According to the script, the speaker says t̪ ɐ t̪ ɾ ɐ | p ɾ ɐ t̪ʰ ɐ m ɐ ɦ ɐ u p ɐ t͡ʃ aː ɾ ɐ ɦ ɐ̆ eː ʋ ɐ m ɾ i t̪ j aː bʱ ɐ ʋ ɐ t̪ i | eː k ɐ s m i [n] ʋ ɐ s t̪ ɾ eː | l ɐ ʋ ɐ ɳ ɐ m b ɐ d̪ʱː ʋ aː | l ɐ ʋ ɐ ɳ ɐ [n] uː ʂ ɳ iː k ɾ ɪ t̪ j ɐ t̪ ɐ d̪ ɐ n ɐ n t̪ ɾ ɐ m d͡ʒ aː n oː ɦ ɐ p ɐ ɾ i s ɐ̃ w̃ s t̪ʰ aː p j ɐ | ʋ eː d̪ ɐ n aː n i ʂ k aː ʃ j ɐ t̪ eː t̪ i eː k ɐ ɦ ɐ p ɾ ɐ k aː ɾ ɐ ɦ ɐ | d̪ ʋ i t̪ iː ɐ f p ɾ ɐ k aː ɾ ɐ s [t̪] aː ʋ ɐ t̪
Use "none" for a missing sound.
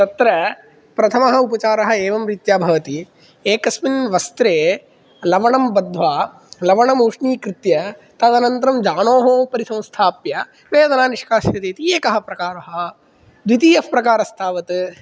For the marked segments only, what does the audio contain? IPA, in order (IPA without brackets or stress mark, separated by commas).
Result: n, m, t̪ʰ